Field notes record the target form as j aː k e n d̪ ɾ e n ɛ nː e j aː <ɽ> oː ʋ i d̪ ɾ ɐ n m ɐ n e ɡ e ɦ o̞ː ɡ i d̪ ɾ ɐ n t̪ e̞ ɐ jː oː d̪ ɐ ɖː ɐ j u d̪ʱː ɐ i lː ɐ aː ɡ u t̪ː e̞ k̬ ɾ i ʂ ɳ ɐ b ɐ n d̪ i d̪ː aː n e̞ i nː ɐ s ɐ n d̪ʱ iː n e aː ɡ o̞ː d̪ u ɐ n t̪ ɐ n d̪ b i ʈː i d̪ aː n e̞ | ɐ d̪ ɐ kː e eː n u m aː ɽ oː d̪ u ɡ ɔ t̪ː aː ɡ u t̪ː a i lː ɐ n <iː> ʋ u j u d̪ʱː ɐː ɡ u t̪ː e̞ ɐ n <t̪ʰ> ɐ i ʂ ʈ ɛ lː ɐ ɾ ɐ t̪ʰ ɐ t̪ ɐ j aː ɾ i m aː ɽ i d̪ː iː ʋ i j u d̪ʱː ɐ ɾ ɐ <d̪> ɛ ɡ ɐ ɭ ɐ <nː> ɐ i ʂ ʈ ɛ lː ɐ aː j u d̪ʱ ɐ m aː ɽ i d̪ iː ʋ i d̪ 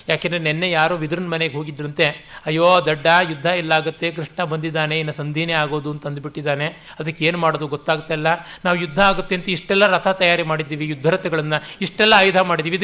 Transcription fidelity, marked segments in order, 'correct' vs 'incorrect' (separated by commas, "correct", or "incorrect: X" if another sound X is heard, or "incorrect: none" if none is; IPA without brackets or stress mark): incorrect: ɾ, incorrect: aː, incorrect: t̪, incorrect: t̪, correct